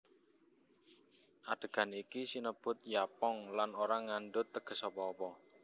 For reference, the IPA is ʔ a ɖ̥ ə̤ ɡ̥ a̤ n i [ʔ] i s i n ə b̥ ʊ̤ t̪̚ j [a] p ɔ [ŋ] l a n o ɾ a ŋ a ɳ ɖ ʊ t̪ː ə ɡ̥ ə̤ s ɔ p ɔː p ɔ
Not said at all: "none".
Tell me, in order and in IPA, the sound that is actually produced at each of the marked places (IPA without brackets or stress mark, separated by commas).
k, a, ŋ